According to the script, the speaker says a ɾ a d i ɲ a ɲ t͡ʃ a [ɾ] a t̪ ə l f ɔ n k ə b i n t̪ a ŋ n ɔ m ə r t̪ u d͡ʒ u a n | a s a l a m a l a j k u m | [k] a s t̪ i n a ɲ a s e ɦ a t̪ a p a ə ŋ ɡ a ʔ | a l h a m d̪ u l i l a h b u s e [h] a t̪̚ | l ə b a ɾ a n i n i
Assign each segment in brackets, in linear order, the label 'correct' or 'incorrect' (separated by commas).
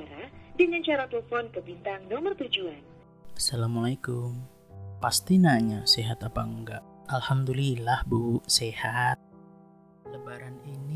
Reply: correct, incorrect, correct